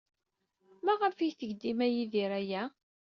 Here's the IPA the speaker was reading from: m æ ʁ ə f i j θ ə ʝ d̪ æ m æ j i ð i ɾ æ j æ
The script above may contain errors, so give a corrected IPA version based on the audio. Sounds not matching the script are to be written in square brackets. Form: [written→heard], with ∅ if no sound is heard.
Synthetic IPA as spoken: m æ ʁ ə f i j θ ə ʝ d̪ [æ→i] m æ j i ð i ɾ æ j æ